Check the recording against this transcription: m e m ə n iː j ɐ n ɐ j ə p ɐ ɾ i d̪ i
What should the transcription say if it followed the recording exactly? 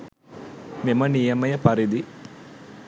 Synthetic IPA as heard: m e m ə n i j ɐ m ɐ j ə p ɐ ɾ i d̪ i